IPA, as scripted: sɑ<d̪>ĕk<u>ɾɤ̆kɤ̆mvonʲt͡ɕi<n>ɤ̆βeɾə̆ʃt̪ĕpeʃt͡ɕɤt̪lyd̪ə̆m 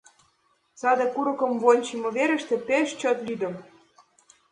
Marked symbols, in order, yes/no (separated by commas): yes, yes, no